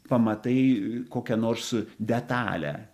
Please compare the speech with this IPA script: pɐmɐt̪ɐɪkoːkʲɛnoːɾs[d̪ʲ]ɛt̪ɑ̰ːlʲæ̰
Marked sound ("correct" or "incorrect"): correct